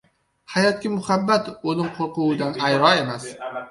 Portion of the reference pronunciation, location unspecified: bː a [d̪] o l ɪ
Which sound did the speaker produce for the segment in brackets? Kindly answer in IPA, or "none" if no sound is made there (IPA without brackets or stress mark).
t̪